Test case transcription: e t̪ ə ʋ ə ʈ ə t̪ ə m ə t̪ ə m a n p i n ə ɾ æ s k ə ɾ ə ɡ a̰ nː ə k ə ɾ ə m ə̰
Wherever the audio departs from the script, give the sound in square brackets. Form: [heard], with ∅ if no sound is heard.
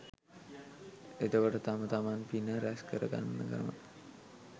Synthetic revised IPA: e t̪ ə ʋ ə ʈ ə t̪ [a] m ə t̪ [a] m a n p i n ə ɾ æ s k ə ɾ ə ɡ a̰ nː ə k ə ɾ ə m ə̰